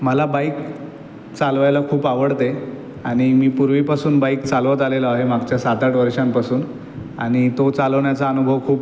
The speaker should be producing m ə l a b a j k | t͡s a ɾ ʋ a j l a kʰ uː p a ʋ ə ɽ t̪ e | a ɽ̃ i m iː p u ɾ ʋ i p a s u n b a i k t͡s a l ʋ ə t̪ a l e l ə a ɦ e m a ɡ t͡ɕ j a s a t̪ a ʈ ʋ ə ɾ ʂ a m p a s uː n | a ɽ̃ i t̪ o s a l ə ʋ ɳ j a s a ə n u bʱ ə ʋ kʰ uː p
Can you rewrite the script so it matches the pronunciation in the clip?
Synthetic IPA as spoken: m ə l a b a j k | t͡s a l ʋ a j l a kʰ uː p a ʋ ə ɽ t̪ e | a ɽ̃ i m iː p u ɾ ʋ i p a s uː n b a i k t͡s a l ʋ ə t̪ a l e l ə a ɦ e m a ɡ t͡ɕ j a s a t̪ a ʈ ʋ ə ɾ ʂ a m p a s uː n | a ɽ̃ i t̪ o t͡s a l ə ʋ ɳ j a t͡s a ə n u bʱ ə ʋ kʰ uː p